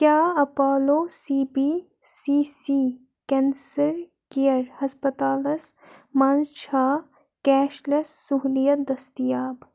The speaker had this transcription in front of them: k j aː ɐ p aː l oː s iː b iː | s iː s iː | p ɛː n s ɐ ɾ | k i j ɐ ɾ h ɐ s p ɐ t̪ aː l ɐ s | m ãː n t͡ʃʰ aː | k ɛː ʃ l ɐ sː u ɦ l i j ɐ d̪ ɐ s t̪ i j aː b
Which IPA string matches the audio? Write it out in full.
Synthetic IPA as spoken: k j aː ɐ p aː l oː s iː b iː | s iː s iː | k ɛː n s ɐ ɾ | k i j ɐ ɾ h ɐ s p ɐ t̪ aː l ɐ s | m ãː n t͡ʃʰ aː | k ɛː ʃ l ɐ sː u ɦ l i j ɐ d̪ ɐ s t̪ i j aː b